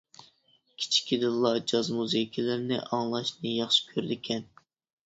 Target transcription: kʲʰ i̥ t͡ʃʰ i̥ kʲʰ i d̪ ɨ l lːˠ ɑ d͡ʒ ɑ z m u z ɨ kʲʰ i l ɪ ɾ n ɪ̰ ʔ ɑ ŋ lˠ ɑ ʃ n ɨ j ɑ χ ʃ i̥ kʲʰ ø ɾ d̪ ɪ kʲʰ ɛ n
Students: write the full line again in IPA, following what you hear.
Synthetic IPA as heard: kʲʰ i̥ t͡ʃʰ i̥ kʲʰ i d̪ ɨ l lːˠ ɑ d͡ʒ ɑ z m u z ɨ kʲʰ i l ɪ ɾ n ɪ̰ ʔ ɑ ŋ lˠ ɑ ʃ n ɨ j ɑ χ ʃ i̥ kʲʰ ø ɾ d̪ ɪ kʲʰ ɛ n

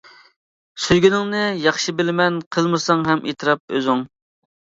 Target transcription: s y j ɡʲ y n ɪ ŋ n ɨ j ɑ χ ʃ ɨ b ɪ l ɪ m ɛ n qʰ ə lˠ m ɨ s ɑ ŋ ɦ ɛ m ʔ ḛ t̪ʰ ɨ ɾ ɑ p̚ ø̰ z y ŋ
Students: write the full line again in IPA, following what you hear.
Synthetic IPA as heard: s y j ɡʲ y n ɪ ŋ n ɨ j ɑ χ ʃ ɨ b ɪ l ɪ m ɛ n qʰ ə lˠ m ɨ s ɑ ŋ ɦ ɛ m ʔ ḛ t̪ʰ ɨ ɾ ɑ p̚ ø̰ z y ŋ

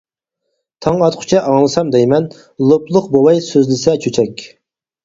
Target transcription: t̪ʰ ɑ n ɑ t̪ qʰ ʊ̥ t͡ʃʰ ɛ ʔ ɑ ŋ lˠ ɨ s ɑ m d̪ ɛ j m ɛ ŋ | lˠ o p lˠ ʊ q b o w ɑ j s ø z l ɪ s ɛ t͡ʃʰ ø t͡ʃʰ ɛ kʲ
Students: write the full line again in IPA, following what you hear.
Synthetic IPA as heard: t̪ʰ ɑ ŋ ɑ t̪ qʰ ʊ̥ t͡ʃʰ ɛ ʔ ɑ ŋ lˠ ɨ s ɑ m d̪ ɛ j m ɛ n | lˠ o p lˠ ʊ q b o w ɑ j s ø z l ɪ s ɛ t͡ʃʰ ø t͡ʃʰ ɛ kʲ

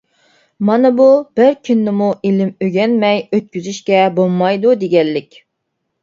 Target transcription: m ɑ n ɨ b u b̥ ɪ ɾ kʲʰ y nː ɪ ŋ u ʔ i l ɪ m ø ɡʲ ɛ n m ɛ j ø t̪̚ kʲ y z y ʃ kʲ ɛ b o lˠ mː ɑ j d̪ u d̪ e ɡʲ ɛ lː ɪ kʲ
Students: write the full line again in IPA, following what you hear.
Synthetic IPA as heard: m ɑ n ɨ b u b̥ ɪ ɾ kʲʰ y nː ɪ m u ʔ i l ɪ m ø ɡʲ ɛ n m ɛ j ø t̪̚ kʲ y z y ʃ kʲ ɛ b o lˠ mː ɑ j d̪ u d̪ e ɡʲ ɛ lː ɪ kʲ

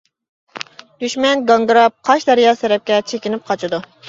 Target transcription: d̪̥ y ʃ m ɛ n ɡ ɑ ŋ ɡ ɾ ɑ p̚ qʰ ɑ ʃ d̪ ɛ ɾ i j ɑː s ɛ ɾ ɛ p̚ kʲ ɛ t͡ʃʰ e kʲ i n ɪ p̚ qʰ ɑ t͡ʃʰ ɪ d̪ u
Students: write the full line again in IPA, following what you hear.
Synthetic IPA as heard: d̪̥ y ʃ m ɛ n ɡ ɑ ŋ ɡ ɾ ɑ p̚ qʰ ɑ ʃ d̪ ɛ ɾ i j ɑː s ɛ ɾ ɛ p̚ kʲ ɛ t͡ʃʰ e kʲ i n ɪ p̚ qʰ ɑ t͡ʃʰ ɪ d̪ u

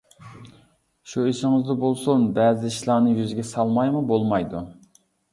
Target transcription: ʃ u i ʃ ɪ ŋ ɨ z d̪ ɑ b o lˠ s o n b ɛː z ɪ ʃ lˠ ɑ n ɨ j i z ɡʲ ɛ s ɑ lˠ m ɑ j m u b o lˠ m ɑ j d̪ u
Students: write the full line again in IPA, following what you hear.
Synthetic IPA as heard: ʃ u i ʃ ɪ ŋ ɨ z d̪ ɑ b o lˠ s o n b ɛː z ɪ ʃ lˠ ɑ n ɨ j y z ɡʲ ɛ s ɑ lˠ m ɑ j m u b o lˠ m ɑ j d̪ u

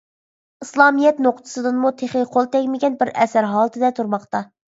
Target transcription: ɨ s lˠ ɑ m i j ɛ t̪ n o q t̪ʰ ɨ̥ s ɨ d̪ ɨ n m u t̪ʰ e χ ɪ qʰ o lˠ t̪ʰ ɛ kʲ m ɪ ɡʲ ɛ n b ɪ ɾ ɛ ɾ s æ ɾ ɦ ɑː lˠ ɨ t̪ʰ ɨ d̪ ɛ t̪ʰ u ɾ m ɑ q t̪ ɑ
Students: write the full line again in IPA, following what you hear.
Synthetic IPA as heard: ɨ s lˠ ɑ m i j ɛ t̪ n o q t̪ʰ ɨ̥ s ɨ d̪ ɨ n m u t̪ʰ e χ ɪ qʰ o lˠ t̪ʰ ɛ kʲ m ɪ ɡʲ ɛ n b ɪ ɾ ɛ s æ ɾ ɦ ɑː lˠ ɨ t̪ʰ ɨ d̪ ɛ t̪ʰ u ɾ m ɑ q t̪ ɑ

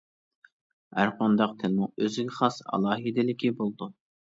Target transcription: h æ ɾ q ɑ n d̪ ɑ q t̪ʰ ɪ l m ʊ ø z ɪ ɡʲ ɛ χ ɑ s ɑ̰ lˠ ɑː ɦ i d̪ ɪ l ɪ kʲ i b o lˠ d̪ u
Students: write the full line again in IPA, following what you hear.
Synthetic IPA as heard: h æ ɾ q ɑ n d̪ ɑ q t̪ʰ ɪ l m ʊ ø z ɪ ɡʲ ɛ χ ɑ s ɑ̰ lˠ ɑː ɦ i d̪ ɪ l ɪ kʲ i b o lˠ d̪ u

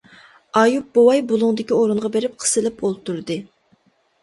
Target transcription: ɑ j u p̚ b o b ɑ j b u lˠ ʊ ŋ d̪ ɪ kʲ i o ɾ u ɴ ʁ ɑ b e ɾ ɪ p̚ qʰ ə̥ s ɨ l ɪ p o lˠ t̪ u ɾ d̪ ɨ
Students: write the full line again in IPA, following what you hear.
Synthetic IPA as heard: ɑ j u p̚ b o w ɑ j b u lˠ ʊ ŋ d̪ ɪ kʲ i o ɾ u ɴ ʁ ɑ b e ɾ ɪ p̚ qʰ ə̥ s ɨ l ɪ p o lˠ t̪ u ɾ d̪ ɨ

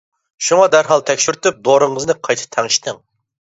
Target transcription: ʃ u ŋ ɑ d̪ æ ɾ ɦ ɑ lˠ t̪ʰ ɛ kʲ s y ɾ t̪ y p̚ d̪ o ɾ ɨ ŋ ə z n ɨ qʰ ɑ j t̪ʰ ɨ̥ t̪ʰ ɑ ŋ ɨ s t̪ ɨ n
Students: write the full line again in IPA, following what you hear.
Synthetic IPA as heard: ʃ u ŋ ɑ d̪ æ ɾ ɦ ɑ lˠ t̪ʰ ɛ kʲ ʃ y ɾ t̪ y p̚ d̪ o ɾ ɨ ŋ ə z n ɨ qʰ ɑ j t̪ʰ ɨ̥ t̪ʰ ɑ ŋ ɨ ʃ t̪ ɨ ŋ

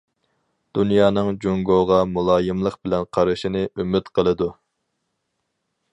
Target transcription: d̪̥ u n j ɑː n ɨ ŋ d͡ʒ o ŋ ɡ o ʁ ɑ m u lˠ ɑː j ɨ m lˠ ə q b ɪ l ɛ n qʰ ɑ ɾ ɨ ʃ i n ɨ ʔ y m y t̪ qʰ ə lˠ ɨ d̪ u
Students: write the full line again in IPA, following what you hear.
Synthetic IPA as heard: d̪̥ u n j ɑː n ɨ ŋ d͡ʒ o ŋ ɡ o ʁ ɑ m u lˠ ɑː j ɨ m lˠ ə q b ɪ l ɛ n qʰ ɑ ɾ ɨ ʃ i n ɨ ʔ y m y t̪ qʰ ə lˠ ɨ d̪ u

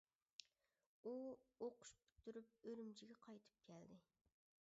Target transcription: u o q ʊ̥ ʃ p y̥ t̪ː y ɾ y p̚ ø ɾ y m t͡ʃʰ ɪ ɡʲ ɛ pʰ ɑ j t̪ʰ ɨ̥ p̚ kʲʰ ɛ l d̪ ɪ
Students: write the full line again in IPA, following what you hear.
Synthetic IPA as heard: u o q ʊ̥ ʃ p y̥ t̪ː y ɾ y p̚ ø ɾ y m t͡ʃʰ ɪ ɡʲ ɛ qʰ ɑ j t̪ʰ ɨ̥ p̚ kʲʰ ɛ l d̪ ɪ

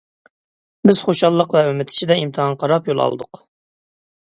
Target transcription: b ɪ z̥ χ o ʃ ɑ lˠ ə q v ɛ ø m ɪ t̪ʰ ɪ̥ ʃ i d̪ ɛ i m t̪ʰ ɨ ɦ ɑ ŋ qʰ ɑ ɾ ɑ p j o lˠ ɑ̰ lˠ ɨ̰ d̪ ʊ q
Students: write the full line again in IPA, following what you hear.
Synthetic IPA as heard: b ɪ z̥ χ o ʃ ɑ lˠː ə q v ɛ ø m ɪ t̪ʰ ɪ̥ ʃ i d̪ ɛ i m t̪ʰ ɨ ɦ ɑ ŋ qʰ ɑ ɾ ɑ p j o lˠ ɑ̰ lˠ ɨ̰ d̪ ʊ q

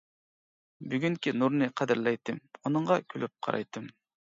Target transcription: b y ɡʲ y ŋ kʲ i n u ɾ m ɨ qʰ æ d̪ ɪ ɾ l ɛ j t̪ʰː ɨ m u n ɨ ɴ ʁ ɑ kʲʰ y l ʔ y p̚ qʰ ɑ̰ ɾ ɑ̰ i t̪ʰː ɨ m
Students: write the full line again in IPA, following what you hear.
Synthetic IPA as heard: b y ɡʲ y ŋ kʲ i n u ɾ n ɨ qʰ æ d̪ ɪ ɾ l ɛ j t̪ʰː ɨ m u n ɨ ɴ ʁ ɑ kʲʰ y l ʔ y p̚ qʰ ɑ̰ ɾ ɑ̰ j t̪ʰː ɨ m

